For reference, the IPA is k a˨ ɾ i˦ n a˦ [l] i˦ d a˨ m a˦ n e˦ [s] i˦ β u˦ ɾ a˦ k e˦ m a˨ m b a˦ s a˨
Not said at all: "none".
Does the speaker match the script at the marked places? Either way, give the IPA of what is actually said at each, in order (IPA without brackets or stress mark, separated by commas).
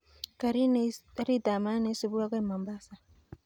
ɾ, s